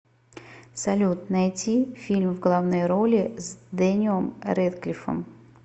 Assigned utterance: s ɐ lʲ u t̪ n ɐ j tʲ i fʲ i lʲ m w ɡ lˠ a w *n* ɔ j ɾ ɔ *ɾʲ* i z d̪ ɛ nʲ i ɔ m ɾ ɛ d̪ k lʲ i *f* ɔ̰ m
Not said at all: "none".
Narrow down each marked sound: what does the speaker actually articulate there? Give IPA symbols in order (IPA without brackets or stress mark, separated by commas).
n, lʲ, f